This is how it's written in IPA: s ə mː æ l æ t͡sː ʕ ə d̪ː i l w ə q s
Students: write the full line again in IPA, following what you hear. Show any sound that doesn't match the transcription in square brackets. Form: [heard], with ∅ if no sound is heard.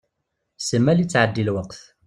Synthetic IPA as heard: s ə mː æ l [i] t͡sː ʕ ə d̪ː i l w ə q [θ]